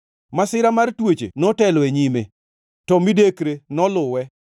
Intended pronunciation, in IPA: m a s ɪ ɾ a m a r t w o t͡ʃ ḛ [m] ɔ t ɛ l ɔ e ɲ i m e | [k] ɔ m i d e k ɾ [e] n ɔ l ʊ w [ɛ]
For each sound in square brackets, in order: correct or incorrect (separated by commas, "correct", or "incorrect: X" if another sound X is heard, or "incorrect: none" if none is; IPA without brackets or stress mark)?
incorrect: n, incorrect: t, correct, correct